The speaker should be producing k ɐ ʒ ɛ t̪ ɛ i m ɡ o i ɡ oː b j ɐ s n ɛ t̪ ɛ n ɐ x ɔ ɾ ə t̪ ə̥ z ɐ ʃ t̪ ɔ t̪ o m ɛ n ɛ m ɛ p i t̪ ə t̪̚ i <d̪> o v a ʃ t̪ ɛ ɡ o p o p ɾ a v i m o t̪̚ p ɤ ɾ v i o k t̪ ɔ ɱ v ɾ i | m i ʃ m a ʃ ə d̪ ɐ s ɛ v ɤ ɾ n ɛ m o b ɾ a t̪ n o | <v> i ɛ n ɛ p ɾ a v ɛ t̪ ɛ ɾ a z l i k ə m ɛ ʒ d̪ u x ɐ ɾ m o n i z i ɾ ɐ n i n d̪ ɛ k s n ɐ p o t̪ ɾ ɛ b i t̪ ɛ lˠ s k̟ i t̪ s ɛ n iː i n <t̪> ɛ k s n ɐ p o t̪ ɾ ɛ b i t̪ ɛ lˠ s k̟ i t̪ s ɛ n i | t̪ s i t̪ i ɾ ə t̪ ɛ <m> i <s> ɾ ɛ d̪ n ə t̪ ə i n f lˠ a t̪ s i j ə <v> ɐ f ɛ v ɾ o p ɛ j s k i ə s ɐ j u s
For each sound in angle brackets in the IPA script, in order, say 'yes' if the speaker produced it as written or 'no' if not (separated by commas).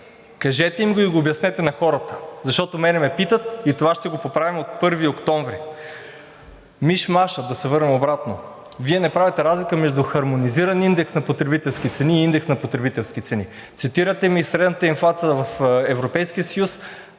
no, yes, no, yes, yes, yes